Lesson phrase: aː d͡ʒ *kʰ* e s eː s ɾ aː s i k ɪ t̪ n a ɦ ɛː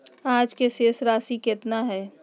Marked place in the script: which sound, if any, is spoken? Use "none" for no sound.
k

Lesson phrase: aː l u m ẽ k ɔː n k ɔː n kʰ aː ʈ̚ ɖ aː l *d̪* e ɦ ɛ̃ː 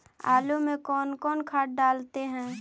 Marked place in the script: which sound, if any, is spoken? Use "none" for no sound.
t̪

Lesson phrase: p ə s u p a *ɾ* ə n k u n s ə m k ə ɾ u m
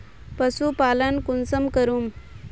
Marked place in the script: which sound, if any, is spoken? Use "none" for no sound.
l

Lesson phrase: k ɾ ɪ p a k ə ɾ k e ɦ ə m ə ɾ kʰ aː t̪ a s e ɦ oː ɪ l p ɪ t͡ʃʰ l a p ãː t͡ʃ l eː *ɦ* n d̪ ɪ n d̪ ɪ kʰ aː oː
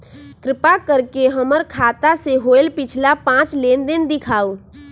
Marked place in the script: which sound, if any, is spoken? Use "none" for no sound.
none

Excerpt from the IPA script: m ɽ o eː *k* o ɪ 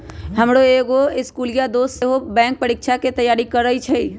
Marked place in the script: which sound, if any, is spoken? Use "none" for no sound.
ɡ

